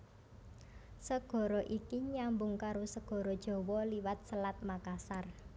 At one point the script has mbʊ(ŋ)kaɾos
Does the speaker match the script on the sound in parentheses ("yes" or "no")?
yes